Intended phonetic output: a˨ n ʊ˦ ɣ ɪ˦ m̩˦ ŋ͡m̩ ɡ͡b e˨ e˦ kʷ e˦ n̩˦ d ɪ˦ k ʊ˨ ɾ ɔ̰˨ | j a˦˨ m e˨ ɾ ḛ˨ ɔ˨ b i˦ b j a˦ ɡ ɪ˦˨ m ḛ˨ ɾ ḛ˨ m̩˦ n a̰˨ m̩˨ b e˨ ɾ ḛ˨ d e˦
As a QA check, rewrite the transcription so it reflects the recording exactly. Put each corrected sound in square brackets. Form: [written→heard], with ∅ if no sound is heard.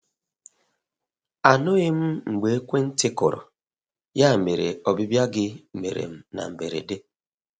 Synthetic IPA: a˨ n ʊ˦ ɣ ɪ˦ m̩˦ ŋ͡m̩ ɡ͡b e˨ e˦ kʷ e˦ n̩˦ [d→t] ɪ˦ k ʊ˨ ɾ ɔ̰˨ | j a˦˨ m e˨ ɾ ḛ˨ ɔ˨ b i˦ b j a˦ ɡ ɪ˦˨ m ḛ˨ ɾ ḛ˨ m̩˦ n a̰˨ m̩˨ b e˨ ɾ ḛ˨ d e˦